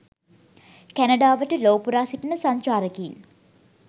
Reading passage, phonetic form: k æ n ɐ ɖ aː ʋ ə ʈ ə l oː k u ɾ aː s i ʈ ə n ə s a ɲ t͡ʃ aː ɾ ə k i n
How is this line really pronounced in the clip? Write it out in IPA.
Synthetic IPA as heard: k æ n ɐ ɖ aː ʋ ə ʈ ə l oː p u ɾ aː s i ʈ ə n ə s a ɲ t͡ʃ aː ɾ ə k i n